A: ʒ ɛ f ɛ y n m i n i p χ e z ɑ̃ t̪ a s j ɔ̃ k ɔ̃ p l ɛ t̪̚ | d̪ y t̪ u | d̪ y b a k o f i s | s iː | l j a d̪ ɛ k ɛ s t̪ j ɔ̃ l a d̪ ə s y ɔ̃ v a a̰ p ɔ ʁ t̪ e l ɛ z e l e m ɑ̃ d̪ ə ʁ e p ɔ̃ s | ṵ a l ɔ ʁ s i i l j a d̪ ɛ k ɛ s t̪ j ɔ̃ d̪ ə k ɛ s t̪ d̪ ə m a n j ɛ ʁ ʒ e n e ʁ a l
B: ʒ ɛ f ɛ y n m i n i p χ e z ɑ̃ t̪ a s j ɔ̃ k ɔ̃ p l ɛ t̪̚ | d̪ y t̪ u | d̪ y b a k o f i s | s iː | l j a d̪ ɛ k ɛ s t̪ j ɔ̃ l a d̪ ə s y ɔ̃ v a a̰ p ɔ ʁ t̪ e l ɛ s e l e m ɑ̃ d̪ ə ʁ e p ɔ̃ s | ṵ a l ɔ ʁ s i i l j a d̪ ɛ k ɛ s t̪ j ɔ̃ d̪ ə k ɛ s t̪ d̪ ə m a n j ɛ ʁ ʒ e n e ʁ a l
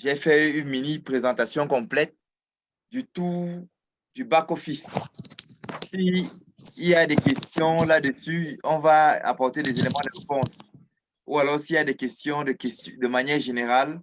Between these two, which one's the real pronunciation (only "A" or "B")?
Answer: A